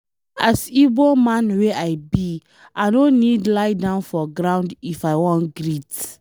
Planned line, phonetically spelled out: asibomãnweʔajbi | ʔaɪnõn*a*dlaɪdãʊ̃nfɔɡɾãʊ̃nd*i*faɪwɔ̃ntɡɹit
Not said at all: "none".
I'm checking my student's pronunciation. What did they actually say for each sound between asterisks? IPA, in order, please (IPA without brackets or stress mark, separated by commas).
i, i